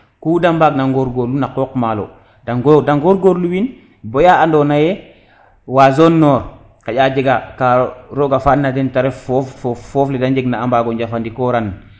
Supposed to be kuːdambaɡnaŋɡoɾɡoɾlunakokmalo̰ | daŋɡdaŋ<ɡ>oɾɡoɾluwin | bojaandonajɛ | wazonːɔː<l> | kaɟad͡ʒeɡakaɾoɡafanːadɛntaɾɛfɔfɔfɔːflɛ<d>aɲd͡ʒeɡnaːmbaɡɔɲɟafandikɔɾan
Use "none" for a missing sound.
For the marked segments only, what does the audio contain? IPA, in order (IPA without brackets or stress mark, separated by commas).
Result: ɡ, ɾ, d